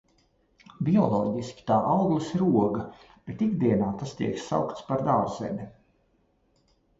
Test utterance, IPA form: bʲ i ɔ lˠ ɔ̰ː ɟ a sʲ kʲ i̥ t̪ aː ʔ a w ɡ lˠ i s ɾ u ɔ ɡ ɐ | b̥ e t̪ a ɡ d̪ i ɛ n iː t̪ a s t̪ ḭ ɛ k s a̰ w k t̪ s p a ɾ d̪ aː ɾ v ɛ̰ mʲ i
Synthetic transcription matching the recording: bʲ i ɔ lˠ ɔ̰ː ɟ i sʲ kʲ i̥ t̪ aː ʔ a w ɡ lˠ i s ɾ u ɔ ɡ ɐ | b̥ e t̪ i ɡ d̪ i ɛ n aː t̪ a s t̪ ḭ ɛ k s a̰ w k t̪ s p a ɾ d̪ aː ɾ z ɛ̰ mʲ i